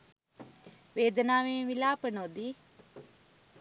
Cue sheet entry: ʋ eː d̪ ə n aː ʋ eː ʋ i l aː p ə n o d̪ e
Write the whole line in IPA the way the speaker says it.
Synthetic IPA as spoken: ʋ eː d̪ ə n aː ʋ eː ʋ i l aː p ə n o d̪ i